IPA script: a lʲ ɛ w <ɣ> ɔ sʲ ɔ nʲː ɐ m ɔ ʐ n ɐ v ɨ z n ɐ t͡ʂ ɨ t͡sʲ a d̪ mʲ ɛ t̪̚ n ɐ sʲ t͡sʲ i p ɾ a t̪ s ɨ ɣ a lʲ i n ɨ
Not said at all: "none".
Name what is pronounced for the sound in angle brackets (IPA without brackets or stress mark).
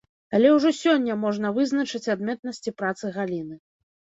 ʐ